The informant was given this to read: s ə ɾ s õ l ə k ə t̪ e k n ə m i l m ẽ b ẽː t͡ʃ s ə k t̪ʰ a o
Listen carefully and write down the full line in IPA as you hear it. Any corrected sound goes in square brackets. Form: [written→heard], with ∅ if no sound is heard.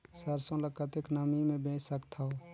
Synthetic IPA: s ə ɾ s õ l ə k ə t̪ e k n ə m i [l→∅] m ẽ b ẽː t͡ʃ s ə k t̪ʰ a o